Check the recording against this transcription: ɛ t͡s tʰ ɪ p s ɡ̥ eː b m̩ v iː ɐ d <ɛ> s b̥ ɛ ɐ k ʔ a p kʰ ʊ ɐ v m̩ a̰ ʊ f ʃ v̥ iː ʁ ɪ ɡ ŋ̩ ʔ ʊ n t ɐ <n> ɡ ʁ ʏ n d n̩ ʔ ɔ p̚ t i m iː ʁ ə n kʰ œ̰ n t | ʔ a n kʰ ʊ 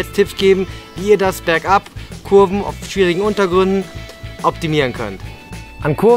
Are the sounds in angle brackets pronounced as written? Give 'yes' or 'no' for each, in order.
no, no

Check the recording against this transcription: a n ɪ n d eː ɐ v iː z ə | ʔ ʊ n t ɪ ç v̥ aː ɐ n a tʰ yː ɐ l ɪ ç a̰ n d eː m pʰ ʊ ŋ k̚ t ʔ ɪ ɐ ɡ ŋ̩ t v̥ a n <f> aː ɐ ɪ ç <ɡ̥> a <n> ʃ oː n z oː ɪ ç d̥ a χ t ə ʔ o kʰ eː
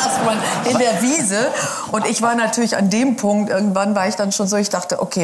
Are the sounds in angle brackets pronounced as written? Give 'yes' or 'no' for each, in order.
no, no, yes

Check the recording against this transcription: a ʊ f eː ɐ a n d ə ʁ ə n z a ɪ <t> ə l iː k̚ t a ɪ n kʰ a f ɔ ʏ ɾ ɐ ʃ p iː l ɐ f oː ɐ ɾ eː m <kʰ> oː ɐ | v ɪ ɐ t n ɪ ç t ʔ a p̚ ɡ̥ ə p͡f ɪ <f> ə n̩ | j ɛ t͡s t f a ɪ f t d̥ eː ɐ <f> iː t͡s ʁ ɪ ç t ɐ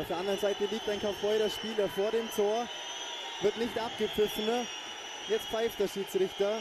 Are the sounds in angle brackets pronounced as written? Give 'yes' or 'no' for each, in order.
yes, no, yes, no

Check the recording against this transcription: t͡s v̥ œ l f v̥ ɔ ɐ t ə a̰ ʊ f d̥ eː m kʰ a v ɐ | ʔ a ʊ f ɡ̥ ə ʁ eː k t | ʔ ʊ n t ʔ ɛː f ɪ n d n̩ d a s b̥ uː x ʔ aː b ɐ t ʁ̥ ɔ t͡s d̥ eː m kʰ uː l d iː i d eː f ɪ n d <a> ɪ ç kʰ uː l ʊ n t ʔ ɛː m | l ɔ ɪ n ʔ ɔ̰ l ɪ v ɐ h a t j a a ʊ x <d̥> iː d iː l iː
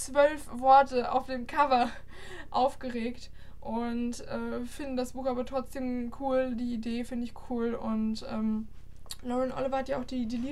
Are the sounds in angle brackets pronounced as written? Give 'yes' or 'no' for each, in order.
no, yes

